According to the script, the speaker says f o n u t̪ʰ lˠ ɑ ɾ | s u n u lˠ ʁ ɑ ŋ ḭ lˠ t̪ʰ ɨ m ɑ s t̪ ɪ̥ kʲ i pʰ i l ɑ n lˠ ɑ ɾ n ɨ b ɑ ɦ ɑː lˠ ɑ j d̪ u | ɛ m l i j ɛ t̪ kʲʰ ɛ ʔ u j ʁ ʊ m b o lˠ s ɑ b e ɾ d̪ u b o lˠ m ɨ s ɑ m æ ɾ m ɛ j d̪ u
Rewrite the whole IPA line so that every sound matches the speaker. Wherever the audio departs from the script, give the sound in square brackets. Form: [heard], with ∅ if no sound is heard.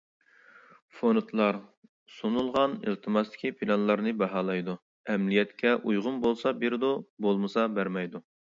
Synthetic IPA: f o n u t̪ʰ lˠ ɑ ɾ | s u n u lˠ ʁ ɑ [n] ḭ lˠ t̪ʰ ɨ m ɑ s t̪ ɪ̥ kʲ i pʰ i l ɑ n lˠ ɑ ɾ n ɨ b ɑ ɦ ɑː lˠ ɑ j d̪ u | ɛ m l i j ɛ t̪ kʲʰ ɛ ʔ u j ʁ ʊ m b o lˠ s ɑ b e ɾ d̪ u b o lˠ m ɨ s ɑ [b] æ ɾ m ɛ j d̪ u